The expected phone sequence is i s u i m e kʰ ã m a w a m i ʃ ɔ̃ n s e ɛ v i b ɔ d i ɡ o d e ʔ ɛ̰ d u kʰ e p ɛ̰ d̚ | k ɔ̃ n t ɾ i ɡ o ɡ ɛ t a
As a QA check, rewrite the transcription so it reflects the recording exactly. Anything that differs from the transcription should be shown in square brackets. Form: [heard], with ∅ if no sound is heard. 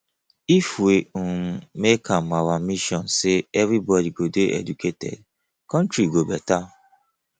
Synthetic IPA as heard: i [f] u [e] m e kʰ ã m a w a m i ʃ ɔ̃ n s e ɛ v i b ɔ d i ɡ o d e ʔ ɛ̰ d u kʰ e [t] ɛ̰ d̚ | k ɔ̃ n t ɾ i ɡ o [b] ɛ t a

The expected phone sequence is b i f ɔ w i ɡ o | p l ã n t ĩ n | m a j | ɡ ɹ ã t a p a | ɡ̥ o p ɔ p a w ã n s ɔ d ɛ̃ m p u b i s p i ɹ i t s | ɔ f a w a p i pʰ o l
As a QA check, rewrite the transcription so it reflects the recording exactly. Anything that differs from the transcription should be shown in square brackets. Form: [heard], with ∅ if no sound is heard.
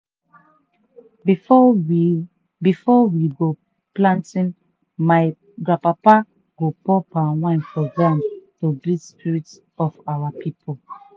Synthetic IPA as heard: b i f ɔ w i ɡ o | p l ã n t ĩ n | m a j | ɡ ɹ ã [p] a p a | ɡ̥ o p ɔ p a w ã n [f] ɔ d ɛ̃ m [t] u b i s p i ɹ i t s | ɔ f a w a p i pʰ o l

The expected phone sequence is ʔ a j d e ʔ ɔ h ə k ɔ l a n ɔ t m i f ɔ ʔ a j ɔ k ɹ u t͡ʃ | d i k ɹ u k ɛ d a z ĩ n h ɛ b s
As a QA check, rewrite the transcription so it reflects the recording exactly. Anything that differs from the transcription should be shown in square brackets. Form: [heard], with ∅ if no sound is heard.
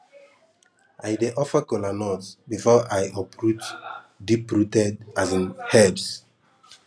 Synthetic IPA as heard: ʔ a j d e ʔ ɔ [f] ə k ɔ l a n ɔ t [b] i f ɔ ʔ a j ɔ [p] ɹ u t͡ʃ | d i [p] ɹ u [t] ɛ d a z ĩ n h ɛ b s

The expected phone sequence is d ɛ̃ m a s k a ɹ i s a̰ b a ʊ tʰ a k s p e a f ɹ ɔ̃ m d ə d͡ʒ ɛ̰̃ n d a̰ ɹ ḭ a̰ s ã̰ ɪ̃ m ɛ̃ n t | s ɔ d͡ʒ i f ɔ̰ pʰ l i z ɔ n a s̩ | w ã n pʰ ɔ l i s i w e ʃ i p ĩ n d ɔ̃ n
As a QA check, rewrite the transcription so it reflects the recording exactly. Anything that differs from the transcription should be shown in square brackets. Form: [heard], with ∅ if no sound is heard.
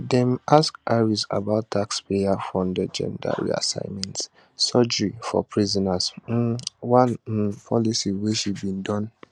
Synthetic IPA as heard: d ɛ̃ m a s k a ɹ i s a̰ b a ʊ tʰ a k s p e a f ɹ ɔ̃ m d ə d͡ʒ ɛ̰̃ n d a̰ ɹ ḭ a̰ s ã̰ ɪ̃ m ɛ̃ n t | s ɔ d͡ʒ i f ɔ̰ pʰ [ɹ] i z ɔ n a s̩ | w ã n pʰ ɔ l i s i w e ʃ i [b] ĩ n d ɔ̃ n

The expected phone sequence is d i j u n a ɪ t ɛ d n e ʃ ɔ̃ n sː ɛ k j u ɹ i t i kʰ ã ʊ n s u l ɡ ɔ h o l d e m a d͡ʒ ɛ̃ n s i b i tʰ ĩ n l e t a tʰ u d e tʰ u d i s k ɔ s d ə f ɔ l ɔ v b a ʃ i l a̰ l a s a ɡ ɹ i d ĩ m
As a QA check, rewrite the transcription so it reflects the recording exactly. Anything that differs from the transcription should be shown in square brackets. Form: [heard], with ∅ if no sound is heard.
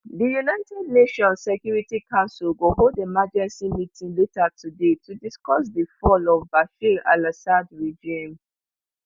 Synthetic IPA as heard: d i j u n a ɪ t ɛ d n e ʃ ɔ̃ n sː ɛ k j u ɹ i t i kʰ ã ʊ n s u l ɡ [o] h o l d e m a d͡ʒ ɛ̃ n s i [m] i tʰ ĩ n l e t a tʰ u d e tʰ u d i s k ɔ s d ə f ɔ l ɔ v b a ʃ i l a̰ l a s a [d] ɹ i [d͡ʒ] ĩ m

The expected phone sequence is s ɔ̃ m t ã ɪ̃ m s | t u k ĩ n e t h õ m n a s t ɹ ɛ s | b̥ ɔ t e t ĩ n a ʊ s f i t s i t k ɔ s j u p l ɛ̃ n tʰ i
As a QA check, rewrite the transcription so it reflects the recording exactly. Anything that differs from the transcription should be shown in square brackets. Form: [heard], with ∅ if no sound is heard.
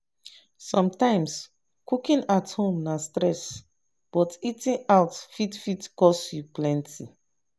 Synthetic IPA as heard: s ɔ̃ m t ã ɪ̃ m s | [k] u k ĩ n [a] t h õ m n a s t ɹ ɛ s | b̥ ɔ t [i] t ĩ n a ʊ [t] f i t [f] i t k ɔ s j u p l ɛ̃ n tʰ i

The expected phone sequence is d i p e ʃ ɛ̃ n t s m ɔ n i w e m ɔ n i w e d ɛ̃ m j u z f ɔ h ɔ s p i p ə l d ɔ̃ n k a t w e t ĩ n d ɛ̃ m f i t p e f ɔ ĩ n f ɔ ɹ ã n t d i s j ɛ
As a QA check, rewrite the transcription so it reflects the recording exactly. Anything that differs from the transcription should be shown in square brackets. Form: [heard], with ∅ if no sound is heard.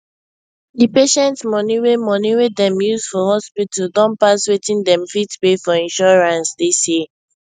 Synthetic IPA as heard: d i p e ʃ ɛ̃ n t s m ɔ n i w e m ɔ n i w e d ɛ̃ m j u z f ɔ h ɔ s p i [t] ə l d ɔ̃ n [p] a [s] w e t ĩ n d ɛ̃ m f i t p e f ɔ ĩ n [ʃ] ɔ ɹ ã n [s] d i s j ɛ

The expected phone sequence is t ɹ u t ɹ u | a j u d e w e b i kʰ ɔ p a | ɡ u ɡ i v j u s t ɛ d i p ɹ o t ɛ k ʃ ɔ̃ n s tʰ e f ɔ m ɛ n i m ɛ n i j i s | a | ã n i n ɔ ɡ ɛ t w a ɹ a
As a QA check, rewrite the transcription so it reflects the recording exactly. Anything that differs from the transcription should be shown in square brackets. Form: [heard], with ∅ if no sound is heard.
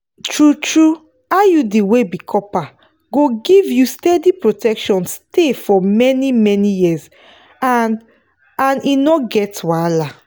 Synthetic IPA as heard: t ɹ u t ɹ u | a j u d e w e b i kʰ ɔ p a | ɡ [o] ɡ i v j u s t ɛ d i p ɹ o t ɛ k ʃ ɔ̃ n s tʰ e f ɔ m ɛ n i m ɛ n i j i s | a | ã n i n ɔ ɡ ɛ t w a [l] a

